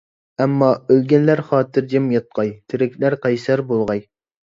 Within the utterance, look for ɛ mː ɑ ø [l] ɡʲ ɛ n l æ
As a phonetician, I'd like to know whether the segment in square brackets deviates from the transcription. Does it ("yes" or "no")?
no